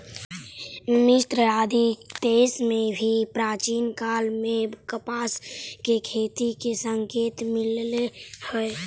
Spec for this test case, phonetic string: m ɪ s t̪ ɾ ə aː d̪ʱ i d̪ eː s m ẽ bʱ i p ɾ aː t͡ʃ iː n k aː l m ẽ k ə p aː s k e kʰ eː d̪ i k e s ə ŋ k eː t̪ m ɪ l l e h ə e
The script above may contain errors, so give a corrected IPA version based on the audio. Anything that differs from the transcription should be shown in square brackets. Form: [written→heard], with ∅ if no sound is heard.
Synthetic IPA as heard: m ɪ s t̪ ɾ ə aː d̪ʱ i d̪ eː s m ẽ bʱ i p ɾ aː t͡ʃ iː n k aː l m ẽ k ə p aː s k e kʰ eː [d̪→t̪] i k e s ə ŋ k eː t̪ m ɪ l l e h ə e